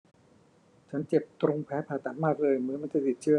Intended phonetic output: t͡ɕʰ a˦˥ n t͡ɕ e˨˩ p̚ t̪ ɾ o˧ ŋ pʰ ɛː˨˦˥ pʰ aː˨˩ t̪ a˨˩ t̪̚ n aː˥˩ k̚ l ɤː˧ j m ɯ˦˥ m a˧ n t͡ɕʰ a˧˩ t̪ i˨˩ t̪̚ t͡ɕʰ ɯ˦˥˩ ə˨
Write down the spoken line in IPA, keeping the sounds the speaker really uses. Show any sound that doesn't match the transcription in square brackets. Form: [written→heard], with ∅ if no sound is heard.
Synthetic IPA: t͡ɕʰ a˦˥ n t͡ɕ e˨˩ p̚ t̪ ɾ o˧ ŋ pʰ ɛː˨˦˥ pʰ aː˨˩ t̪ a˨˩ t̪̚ [n→m] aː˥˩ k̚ l ɤː˧ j m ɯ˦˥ m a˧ n [t͡ɕʰ→t͡ɕ] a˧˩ t̪ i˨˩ t̪̚ t͡ɕʰ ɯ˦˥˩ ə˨